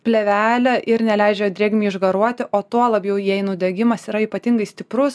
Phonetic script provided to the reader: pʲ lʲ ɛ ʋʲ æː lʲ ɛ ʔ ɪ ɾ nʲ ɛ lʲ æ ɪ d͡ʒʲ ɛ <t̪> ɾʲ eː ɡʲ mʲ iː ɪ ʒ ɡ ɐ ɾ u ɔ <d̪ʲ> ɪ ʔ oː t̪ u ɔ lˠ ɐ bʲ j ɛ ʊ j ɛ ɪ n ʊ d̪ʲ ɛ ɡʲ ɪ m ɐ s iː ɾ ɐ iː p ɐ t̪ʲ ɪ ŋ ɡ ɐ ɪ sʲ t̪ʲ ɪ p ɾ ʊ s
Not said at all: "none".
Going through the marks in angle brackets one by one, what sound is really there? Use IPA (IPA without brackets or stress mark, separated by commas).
d̪, t̪ʲ